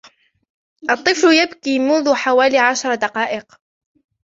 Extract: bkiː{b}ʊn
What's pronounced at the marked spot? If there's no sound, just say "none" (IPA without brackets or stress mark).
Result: m